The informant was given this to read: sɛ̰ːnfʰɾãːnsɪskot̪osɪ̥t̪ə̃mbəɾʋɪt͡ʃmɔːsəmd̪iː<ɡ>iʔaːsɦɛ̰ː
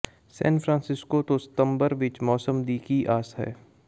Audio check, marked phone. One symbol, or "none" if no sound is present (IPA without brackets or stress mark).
k